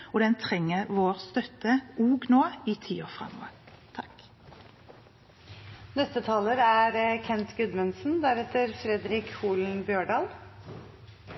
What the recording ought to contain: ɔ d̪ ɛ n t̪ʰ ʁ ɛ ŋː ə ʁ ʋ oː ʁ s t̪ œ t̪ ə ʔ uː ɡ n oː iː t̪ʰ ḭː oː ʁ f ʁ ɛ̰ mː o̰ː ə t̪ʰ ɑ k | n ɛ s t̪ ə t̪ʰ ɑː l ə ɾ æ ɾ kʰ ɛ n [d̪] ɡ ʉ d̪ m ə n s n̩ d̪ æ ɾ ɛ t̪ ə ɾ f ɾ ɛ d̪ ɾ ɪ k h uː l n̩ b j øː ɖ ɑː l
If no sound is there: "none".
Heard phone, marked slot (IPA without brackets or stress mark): t̪